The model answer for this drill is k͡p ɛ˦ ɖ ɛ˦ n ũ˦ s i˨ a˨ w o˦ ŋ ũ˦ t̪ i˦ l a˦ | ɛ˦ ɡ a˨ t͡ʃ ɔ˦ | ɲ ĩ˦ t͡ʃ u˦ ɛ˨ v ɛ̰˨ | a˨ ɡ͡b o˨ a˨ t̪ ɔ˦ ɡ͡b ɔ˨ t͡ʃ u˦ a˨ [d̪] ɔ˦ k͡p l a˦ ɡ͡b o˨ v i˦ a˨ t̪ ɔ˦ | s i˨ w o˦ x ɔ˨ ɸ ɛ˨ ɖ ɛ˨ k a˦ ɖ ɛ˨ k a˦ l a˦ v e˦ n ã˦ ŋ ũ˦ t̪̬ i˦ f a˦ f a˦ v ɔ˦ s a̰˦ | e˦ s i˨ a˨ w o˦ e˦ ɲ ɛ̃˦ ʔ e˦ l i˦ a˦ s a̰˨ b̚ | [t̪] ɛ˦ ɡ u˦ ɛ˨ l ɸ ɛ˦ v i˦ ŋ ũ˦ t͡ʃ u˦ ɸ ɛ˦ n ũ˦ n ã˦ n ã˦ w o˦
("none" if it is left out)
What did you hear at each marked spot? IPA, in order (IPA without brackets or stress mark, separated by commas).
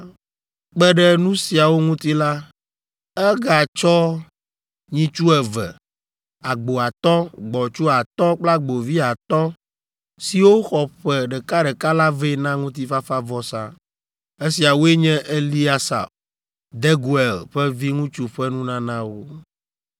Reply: t̪, d̪